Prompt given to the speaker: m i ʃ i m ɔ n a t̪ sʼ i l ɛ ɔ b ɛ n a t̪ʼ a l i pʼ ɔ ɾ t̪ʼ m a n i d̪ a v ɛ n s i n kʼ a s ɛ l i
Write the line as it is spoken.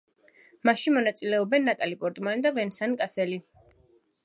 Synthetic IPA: m a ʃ i m ɔ n a t̪ sʼ i l ɛ ɔ b ɛ nː a t̪ʼ a l i pʼ ɔ ɾ t̪ʼ m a n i d̪ a v ɛ n s a n kʼ a s ɛ l i